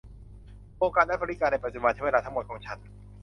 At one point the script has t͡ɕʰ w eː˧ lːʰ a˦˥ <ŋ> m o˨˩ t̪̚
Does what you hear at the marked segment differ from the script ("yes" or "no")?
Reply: no